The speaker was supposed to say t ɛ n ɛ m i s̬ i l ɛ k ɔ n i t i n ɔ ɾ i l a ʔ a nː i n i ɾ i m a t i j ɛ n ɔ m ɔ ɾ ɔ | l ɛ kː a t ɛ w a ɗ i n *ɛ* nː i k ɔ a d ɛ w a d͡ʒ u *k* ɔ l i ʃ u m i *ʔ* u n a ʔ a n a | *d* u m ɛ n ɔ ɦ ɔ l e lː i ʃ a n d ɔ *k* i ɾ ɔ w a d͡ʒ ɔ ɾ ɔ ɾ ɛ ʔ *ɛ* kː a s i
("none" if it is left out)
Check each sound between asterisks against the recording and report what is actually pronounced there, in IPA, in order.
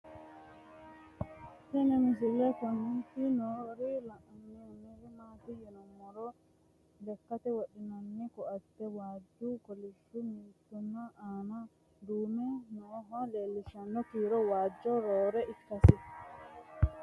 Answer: a, k, t, d, k, i

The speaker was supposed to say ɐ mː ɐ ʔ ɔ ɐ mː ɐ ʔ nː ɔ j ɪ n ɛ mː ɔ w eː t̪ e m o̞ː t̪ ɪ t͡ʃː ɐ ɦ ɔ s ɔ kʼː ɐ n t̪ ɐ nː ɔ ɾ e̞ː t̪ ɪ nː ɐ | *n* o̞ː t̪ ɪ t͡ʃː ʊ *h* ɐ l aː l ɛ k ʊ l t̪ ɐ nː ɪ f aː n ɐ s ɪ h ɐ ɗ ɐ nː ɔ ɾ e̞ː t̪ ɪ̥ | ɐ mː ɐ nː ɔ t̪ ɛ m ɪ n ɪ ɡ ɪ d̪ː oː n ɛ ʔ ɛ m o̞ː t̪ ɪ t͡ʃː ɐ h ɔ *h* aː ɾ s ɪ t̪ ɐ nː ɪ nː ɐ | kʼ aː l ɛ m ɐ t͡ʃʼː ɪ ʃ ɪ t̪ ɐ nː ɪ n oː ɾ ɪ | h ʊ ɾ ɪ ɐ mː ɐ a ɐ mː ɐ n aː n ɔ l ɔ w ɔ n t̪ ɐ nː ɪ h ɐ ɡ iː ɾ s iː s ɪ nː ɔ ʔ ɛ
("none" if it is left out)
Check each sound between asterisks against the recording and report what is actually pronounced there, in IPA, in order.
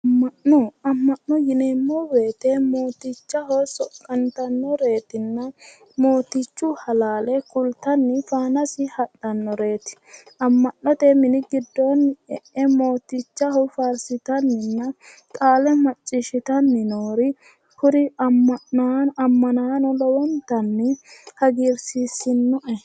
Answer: m, h, f

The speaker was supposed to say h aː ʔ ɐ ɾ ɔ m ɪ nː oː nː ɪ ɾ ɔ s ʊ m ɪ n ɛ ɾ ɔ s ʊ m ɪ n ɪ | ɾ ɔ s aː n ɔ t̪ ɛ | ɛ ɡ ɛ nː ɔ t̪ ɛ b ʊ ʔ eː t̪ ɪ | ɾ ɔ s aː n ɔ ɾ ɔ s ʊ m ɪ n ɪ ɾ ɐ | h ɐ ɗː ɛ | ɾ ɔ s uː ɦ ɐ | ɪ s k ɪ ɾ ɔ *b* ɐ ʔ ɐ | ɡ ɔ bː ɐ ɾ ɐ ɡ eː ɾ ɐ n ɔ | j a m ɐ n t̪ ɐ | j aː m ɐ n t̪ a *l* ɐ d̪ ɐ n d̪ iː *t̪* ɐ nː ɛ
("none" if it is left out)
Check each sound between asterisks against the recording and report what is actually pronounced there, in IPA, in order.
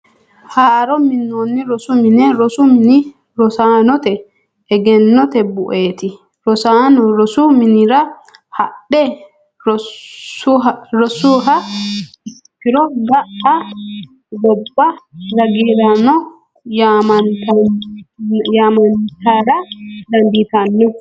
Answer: ɡ, ɾ, t̪

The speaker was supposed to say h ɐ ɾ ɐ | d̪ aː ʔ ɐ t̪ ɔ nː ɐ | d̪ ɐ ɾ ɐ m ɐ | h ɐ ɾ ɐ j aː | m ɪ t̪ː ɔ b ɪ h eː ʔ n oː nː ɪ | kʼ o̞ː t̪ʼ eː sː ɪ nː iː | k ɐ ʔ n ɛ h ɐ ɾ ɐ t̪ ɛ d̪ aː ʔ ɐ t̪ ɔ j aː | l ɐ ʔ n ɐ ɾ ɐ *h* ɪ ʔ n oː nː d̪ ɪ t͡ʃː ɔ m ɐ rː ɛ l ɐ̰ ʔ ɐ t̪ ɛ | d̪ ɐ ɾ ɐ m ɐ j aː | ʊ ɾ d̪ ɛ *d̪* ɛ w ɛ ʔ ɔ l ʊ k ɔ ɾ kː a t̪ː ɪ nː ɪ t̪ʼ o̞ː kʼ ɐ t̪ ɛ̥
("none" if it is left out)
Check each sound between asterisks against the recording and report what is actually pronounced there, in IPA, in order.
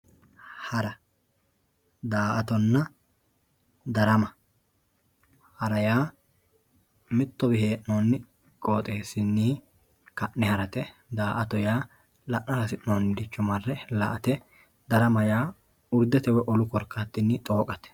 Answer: s, t̪

